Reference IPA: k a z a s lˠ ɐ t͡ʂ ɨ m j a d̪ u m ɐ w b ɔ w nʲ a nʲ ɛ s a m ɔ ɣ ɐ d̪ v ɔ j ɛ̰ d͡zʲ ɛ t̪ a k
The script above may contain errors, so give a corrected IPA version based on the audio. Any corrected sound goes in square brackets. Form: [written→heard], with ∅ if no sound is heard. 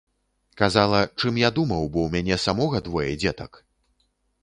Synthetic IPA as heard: k a z a [s→∅] lˠ ɐ t͡ʂ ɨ m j a d̪ u m ɐ w b ɔ w [nʲ→mʲ] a nʲ ɛ s a m ɔ ɣ ɐ d̪ v ɔ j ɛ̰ d͡zʲ ɛ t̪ [a→ɐ] k